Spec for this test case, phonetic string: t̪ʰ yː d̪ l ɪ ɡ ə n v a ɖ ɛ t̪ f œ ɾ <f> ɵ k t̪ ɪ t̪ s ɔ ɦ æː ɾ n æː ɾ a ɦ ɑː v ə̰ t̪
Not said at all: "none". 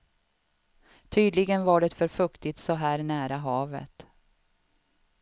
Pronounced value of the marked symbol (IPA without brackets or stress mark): f